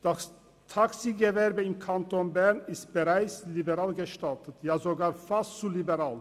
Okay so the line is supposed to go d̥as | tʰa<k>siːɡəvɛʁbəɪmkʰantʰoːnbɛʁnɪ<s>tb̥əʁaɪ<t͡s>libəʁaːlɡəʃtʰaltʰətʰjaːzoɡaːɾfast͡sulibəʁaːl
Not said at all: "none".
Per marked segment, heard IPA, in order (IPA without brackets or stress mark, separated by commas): k, s, t͡s